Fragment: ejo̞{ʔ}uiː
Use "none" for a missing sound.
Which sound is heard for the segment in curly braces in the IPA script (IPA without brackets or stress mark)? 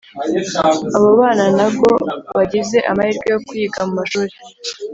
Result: k